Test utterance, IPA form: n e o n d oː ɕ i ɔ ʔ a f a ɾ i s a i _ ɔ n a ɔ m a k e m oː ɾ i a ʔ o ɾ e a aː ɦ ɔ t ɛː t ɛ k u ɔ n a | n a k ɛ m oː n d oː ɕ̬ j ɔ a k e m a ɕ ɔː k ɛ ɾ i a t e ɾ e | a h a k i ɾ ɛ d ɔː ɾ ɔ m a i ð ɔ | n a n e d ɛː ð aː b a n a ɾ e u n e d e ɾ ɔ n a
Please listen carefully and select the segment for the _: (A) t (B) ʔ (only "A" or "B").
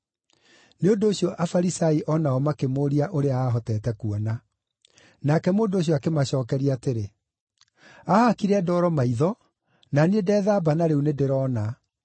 B